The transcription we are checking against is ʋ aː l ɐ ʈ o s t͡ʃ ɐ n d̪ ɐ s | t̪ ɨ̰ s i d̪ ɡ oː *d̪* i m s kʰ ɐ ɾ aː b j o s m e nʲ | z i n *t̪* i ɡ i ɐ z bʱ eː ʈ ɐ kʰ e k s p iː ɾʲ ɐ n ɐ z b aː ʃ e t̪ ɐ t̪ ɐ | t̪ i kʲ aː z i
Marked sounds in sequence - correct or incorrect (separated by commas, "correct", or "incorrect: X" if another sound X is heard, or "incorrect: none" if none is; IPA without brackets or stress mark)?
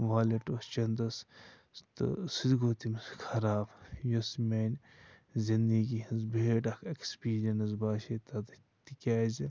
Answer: incorrect: t̪, incorrect: d̪